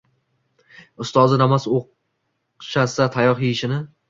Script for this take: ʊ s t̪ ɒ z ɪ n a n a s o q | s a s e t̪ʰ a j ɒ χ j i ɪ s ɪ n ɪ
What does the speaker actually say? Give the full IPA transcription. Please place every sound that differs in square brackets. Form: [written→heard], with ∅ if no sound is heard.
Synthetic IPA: ʊ s t̪ ɒ z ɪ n a [n→m] a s o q | [s→ʃ] a s [e→a] t̪ʰ a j ɒ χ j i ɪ [s→ʃ] ɪ n ɪ